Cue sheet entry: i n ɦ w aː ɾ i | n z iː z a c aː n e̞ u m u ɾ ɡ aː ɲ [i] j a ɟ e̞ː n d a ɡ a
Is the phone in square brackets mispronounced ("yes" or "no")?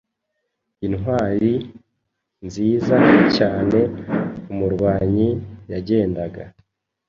no